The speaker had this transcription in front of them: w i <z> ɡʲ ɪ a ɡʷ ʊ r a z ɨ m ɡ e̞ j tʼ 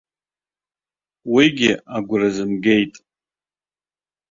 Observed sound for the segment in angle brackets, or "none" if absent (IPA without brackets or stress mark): none